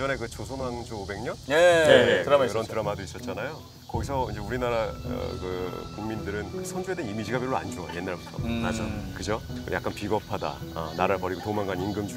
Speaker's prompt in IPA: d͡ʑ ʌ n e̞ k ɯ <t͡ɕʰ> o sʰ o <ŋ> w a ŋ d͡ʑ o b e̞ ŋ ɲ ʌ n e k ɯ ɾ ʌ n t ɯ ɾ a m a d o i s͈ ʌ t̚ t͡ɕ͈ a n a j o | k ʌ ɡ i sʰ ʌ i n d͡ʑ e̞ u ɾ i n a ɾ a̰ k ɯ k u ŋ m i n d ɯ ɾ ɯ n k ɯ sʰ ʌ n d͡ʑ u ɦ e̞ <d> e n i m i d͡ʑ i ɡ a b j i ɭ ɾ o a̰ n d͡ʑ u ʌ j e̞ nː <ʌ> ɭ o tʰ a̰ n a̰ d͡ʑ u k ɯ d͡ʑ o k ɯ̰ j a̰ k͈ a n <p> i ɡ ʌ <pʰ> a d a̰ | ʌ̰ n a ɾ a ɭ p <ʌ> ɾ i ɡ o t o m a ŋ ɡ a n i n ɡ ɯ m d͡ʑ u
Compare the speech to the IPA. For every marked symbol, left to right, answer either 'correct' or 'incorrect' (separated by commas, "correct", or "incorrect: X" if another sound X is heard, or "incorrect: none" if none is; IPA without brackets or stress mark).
incorrect: t͡ɕ, incorrect: n, correct, incorrect: a, correct, correct, correct